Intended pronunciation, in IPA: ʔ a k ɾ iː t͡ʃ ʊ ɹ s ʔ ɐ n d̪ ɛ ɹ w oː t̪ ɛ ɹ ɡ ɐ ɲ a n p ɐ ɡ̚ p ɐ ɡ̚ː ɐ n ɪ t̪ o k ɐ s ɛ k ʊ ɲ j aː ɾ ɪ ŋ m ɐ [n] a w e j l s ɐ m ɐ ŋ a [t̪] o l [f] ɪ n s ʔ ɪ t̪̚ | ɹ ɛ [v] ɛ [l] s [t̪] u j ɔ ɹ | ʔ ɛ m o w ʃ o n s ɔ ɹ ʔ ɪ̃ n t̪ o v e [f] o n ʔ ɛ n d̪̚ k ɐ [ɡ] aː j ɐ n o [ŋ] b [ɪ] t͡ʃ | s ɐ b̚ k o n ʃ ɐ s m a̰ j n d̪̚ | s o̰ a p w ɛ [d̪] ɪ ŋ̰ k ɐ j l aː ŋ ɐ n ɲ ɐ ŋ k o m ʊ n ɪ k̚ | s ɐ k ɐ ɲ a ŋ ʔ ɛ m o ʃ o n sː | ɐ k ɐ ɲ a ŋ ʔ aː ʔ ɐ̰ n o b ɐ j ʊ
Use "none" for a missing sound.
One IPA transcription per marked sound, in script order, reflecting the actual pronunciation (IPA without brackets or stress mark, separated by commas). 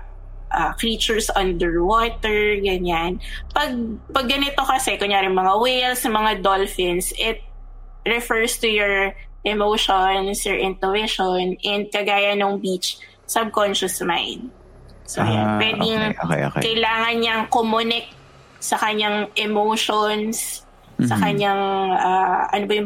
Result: ŋ, d̪, f, f, ɹ, t̪, ʃ, ɡ, ŋ, i, d̪